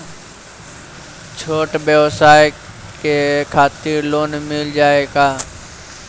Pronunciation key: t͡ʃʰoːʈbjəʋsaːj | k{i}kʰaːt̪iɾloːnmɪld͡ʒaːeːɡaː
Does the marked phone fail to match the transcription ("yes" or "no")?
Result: yes